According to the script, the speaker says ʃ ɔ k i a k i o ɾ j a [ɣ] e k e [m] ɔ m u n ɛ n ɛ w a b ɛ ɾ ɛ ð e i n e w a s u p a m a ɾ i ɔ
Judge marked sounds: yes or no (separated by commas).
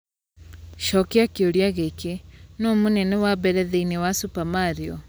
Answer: yes, no